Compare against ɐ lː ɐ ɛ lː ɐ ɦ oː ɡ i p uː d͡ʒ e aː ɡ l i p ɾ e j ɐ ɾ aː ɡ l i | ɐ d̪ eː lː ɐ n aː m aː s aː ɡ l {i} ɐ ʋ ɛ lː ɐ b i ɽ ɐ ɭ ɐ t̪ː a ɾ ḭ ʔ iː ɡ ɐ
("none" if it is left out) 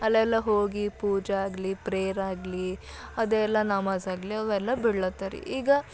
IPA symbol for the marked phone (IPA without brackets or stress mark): i